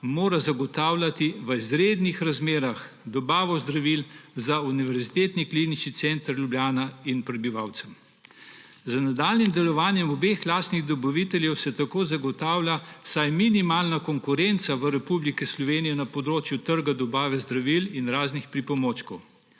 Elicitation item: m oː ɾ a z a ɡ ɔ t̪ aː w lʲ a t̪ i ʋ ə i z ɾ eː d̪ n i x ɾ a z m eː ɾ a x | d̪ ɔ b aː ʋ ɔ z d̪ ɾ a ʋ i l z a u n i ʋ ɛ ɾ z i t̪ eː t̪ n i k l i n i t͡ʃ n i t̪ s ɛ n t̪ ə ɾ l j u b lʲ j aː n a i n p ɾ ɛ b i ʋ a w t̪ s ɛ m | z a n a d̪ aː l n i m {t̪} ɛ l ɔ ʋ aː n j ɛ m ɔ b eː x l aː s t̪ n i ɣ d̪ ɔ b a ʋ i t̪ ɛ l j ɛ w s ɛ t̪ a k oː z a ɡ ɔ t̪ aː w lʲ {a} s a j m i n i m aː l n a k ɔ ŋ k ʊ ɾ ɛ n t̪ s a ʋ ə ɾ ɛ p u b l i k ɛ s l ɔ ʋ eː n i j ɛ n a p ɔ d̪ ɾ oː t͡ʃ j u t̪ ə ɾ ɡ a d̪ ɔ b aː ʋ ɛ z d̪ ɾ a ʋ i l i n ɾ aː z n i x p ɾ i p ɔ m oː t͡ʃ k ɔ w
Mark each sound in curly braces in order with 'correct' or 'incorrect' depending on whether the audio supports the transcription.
incorrect: d̪, correct

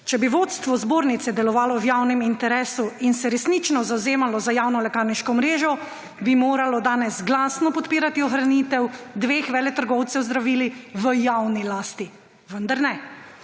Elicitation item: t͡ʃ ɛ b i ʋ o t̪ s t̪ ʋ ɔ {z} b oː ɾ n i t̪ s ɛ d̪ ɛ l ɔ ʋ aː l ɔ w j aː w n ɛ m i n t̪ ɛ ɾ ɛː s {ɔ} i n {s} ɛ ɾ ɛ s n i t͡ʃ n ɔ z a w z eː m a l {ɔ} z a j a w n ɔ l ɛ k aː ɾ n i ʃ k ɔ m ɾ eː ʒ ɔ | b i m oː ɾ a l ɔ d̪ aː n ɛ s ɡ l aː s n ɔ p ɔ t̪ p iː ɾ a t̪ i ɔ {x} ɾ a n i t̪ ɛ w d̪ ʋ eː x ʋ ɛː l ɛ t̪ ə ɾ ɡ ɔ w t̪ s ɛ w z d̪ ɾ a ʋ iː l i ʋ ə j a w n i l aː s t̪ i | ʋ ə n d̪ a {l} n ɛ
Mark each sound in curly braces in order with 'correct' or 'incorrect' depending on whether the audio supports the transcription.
correct, incorrect: u, correct, correct, correct, incorrect: ɾ

